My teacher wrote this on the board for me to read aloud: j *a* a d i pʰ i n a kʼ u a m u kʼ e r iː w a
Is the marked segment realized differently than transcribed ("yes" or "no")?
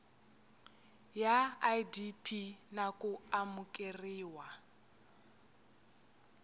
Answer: no